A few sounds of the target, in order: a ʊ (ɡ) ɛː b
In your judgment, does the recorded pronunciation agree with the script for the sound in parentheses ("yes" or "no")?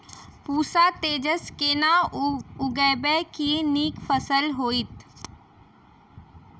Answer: yes